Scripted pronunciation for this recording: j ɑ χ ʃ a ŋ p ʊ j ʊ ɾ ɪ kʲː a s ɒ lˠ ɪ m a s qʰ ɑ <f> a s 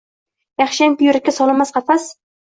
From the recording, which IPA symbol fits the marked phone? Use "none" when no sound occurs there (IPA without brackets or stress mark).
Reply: f